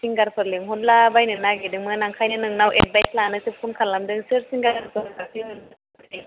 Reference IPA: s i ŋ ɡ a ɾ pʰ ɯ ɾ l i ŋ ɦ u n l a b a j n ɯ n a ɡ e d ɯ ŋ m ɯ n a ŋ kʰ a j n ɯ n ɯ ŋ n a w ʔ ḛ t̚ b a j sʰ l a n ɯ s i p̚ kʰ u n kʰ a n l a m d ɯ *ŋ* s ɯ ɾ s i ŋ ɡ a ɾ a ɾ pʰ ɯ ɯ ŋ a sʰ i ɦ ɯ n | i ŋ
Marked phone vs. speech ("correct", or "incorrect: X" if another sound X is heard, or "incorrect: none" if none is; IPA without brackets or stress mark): correct